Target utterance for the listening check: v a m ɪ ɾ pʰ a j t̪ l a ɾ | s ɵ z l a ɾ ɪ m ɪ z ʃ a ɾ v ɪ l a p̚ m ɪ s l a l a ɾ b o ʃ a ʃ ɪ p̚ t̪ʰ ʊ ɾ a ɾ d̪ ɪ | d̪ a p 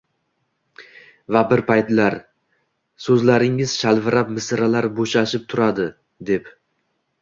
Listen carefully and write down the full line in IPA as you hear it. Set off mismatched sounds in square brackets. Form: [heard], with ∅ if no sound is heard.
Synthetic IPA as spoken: v a [b] ɪ ɾ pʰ a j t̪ l a ɾ | s ɵ z l a ɾ ɪ [ŋ] ɪ z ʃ a [l] v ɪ [ɾ] a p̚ m ɪ s [ɾ] a l a ɾ b o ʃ a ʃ ɪ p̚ t̪ʰ ʊ ɾ a [∅] d̪ ɪ | d̪ [e] p